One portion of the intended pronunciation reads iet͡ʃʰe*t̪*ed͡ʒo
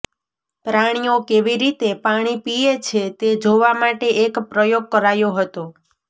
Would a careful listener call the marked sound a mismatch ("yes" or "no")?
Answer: no